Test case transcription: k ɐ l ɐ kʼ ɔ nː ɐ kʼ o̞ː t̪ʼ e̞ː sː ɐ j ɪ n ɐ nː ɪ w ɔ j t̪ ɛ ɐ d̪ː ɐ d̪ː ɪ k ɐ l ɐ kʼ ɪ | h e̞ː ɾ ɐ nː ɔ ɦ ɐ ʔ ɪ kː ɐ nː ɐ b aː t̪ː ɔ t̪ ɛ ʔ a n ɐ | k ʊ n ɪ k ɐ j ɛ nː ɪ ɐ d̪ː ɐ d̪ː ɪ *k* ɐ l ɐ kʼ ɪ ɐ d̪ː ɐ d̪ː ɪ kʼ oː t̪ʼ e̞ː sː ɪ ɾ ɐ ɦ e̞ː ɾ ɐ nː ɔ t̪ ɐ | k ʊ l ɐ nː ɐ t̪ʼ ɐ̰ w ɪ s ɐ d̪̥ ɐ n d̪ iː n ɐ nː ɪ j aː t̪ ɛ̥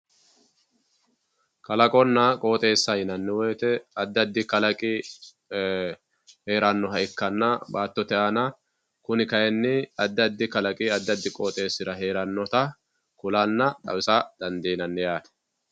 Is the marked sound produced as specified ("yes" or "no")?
yes